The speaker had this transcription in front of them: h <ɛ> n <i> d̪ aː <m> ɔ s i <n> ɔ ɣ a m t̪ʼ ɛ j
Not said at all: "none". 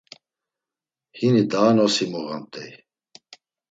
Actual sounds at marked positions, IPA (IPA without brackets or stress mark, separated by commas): i, i, n, m